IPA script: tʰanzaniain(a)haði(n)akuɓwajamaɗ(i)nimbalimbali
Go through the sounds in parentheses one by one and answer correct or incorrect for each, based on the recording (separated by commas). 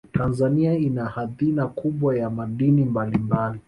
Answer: correct, correct, correct